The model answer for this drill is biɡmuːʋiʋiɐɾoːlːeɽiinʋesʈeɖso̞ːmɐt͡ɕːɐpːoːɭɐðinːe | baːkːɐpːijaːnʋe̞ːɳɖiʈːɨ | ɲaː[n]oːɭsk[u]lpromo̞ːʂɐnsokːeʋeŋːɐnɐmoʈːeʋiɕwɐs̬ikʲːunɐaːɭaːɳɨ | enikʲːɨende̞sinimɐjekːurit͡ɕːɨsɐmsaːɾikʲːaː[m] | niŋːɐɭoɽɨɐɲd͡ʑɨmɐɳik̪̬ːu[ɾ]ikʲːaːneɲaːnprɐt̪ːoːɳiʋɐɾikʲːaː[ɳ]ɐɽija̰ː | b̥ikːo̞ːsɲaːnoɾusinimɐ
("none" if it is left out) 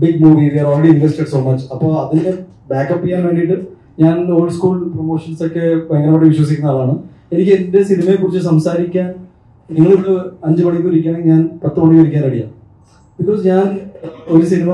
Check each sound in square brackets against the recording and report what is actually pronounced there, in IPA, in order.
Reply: n, uː, n, ɾ, n

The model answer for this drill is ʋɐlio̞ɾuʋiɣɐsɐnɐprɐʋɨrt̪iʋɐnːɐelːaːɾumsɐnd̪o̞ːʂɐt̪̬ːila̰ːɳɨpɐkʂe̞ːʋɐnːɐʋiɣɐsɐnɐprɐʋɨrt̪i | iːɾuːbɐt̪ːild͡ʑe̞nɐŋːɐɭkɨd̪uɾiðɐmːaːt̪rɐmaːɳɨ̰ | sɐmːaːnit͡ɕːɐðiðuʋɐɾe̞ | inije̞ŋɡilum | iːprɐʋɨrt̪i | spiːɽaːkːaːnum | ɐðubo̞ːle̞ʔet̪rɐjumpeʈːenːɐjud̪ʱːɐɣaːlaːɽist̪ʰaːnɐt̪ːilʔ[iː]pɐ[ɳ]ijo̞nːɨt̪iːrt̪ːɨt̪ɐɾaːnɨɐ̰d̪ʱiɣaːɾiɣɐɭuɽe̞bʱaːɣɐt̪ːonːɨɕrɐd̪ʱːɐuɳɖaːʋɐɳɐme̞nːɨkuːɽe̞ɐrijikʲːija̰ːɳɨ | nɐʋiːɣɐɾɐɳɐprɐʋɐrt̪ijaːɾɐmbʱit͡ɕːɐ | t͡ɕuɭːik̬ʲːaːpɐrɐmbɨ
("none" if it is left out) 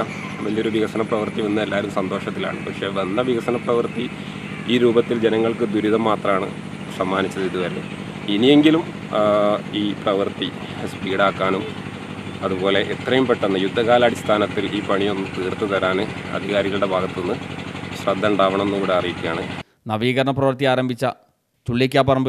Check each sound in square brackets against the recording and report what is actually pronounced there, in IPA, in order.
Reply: iː, ɳ

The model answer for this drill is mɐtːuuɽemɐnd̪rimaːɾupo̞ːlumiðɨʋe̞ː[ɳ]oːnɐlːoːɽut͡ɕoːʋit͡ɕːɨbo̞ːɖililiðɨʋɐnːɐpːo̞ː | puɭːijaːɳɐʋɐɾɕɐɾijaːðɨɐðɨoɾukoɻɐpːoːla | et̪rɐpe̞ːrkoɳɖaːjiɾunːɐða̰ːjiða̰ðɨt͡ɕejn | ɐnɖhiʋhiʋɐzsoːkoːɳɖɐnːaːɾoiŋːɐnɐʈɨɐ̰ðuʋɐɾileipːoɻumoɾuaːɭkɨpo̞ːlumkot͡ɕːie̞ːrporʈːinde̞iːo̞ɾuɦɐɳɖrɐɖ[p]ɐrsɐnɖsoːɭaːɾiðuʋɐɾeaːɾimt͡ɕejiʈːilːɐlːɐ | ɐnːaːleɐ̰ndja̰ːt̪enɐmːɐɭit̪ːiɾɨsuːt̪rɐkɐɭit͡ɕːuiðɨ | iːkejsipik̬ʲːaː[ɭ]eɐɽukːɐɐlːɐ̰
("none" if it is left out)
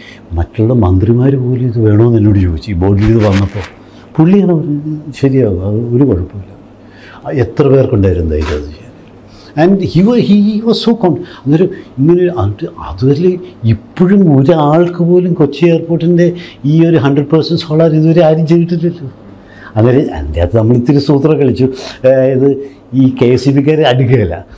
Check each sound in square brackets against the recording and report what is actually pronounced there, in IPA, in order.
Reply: ɳ, p, ɾ

